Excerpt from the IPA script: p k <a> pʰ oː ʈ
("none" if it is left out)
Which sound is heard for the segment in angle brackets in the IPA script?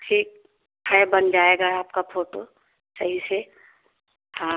a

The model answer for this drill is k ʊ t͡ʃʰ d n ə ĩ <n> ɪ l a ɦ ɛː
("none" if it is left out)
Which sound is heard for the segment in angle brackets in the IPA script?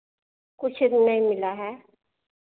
m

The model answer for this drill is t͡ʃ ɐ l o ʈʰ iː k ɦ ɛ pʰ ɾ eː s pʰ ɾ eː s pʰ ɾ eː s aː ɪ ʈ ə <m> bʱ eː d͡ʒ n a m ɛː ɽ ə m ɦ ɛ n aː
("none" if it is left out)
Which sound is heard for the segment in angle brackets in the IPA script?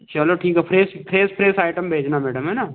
m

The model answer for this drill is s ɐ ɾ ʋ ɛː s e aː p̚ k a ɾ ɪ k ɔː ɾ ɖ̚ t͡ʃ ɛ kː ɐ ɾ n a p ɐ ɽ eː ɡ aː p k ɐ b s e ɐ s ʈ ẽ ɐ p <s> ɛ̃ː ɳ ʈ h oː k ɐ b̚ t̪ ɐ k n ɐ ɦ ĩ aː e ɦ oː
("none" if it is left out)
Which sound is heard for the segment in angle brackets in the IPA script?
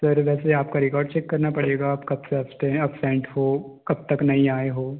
s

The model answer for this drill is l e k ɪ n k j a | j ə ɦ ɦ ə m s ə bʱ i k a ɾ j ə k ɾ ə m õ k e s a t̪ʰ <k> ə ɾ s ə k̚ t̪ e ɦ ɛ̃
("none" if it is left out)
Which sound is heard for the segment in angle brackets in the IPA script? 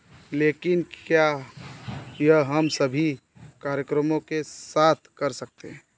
k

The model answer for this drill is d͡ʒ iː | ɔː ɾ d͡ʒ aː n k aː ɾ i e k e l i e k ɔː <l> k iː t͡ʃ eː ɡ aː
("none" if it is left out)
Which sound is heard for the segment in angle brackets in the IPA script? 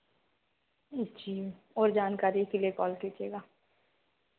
l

